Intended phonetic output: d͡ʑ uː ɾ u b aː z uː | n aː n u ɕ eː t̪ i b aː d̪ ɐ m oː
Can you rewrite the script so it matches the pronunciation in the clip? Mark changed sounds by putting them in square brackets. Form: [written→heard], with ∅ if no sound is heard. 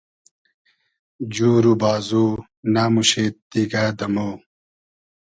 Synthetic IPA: d͡ʑ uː ɾ u b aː z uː | n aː [n→m] u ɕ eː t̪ i [b→ɡ] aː d̪ ɐ m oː